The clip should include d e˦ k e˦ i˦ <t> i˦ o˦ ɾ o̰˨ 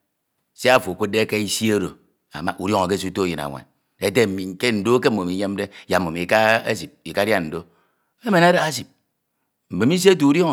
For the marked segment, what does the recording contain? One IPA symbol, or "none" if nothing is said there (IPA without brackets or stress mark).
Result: s